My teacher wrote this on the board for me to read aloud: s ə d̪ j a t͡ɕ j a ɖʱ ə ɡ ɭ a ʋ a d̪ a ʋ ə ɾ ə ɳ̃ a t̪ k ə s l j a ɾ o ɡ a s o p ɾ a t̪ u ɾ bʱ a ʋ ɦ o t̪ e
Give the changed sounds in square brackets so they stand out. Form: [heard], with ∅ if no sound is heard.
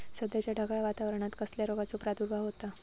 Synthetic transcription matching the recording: s ə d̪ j a t͡ɕ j a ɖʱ ə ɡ ɭ a ʋ a [t̪] a ʋ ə ɾ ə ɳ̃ a t̪ k ə s l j a ɾ o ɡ a [t͡s] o p ɾ a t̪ u ɾ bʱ a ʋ ɦ o t̪ [a]